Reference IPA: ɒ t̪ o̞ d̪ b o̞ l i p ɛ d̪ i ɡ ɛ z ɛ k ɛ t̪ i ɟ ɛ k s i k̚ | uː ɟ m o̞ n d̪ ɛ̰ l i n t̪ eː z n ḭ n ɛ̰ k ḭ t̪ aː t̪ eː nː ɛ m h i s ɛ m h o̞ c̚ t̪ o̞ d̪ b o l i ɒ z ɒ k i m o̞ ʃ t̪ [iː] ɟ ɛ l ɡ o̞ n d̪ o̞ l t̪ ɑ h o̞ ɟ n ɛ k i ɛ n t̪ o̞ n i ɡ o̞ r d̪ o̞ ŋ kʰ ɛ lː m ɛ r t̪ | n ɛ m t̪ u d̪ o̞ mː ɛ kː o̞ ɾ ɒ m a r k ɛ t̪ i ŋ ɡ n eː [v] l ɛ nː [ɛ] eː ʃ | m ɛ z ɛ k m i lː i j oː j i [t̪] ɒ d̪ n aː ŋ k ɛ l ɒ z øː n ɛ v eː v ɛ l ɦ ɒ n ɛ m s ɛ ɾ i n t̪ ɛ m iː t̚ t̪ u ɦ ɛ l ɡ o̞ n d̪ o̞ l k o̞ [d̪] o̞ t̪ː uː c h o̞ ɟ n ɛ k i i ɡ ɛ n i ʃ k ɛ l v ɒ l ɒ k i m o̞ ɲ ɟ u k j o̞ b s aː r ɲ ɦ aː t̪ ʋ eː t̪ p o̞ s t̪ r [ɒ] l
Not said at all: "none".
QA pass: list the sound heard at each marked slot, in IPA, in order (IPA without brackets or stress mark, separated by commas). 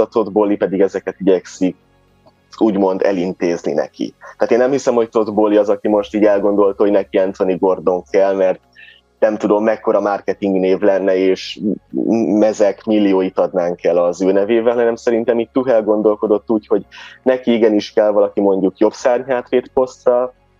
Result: iː, v, ɛ, t̪, d̪, ɒ